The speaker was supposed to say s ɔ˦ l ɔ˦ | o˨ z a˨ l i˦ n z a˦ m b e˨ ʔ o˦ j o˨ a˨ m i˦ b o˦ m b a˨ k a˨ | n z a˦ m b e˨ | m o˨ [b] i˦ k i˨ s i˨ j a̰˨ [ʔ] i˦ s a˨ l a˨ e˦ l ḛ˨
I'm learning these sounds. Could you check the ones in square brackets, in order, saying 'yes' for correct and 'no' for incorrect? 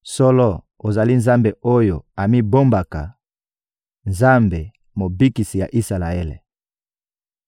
yes, yes

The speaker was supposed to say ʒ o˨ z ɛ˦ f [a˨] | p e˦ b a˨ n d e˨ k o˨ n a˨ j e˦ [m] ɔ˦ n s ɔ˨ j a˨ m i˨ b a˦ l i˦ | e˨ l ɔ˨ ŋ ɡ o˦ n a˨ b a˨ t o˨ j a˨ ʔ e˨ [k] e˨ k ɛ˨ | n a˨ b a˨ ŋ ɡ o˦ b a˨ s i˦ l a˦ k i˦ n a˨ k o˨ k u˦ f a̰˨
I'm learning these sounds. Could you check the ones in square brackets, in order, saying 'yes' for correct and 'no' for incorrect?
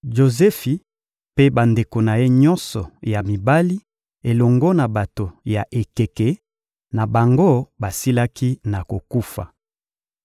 no, no, yes

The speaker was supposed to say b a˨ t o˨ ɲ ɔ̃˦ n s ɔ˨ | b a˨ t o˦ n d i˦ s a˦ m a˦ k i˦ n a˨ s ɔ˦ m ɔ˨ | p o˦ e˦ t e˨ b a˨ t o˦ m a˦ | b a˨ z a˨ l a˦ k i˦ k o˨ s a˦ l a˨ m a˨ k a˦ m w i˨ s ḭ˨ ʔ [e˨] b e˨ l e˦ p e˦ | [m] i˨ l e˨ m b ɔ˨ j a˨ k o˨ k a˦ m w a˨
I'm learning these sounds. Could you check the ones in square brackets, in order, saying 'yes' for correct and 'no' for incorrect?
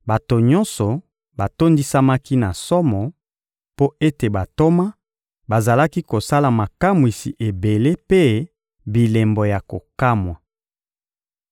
yes, no

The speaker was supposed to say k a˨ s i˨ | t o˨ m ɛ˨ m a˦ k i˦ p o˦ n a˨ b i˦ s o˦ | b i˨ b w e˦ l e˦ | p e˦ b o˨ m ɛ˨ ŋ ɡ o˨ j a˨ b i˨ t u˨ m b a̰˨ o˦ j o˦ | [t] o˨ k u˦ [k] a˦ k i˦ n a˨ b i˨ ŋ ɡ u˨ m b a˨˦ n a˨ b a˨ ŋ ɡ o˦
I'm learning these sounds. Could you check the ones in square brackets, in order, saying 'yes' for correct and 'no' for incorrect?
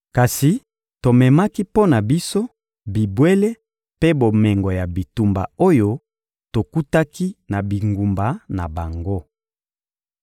yes, no

